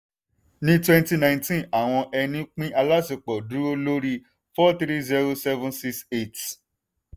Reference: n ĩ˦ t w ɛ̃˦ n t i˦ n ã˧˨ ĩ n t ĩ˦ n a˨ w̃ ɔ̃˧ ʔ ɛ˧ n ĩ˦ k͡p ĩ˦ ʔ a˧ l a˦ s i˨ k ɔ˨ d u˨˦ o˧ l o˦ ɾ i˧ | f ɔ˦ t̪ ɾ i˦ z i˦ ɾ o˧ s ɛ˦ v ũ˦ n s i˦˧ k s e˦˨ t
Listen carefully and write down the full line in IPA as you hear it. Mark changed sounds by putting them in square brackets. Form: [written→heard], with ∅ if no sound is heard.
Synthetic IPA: n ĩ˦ t w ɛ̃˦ n t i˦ n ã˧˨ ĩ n t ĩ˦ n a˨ w̃ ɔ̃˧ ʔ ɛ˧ n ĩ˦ k͡p ĩ˦ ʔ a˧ l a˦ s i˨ [k→k͡p] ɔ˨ d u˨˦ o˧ l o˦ ɾ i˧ | f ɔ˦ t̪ ɾ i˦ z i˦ ɾ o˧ s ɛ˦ v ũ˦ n s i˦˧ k s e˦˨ t